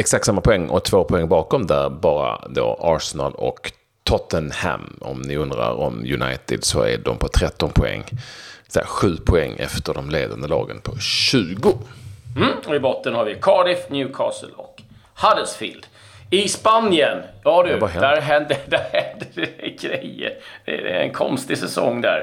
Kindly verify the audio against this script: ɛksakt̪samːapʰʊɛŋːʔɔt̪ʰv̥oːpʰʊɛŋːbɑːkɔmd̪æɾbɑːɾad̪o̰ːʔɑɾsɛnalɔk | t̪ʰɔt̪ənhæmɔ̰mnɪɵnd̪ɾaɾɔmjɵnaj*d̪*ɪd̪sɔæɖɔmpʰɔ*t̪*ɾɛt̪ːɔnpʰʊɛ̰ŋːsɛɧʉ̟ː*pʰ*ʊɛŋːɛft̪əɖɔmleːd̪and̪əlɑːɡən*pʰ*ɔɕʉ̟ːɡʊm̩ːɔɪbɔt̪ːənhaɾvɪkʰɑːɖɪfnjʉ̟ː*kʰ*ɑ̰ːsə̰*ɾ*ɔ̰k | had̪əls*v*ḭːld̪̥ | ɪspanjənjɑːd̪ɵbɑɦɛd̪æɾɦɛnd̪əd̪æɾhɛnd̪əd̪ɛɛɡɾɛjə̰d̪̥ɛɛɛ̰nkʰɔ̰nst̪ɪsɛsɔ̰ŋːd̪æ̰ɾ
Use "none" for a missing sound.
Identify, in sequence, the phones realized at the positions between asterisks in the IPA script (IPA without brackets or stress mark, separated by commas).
t̪, t̪ʰ, pʰ, pʰ, kʰ, l, f